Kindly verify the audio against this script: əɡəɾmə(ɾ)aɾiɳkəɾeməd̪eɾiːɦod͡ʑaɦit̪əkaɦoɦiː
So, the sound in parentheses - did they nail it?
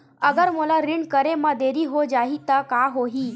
no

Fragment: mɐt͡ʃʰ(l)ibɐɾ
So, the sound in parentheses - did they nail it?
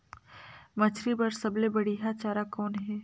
no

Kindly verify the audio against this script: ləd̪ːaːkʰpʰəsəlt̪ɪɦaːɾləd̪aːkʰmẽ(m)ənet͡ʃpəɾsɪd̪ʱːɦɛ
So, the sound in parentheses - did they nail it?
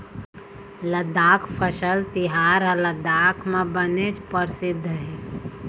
no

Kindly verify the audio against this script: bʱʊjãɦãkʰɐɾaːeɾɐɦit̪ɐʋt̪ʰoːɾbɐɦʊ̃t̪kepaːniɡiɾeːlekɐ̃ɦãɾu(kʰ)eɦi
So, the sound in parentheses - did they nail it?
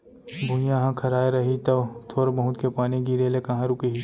no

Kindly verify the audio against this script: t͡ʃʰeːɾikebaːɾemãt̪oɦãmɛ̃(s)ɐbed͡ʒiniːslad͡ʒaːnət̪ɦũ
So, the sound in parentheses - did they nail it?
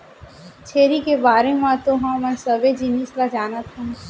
yes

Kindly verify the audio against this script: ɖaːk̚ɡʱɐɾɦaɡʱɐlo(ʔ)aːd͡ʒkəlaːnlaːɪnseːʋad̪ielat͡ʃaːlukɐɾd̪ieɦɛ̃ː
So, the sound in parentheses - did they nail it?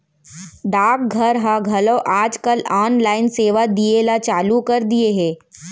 yes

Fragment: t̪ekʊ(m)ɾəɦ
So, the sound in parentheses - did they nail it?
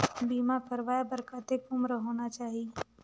yes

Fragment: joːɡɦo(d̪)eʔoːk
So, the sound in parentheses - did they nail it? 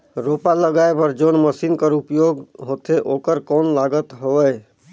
no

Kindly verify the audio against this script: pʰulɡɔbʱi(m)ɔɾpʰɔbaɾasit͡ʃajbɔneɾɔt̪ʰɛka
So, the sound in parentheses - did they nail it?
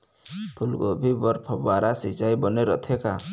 no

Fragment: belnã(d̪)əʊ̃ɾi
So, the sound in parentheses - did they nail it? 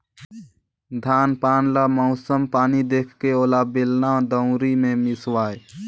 yes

